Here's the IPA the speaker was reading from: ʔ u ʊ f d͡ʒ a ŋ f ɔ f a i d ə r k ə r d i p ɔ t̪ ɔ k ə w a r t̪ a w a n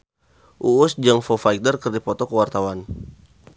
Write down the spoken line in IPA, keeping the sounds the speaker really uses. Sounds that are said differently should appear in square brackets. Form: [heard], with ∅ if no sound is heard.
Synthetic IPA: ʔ u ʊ [s] d͡ʒ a ŋ f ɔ f a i d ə r k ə r d i p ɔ t̪ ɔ k ə w a r t̪ a w a n